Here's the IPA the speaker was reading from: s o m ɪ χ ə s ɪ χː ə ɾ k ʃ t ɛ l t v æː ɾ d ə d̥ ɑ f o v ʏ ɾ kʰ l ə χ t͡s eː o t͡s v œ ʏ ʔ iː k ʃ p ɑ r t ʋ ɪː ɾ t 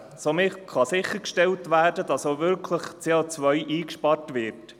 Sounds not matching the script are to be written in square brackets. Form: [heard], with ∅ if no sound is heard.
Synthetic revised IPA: s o m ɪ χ [ɑ] s ɪ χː ə ɾ k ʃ t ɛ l t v æː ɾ d ə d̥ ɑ [s] o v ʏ ɾ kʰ l ə χ t͡s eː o t͡s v œ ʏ ʔ iː k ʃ p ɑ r t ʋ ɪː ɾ t